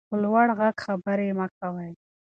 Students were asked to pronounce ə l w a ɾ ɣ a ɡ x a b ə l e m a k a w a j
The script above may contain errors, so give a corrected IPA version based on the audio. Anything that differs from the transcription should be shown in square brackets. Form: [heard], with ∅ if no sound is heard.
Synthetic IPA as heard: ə l w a [ɽ] ɣ a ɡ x a b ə [ɾ] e m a k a w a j